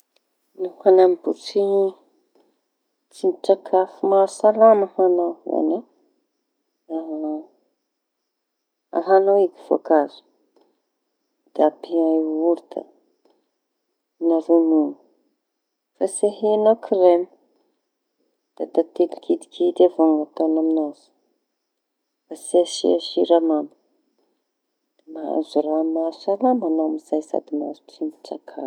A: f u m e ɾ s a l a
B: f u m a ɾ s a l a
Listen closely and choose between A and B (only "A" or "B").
B